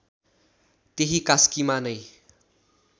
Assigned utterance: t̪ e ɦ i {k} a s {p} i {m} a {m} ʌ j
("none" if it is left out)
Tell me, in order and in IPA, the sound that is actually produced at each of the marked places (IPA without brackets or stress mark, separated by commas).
k, k, m, n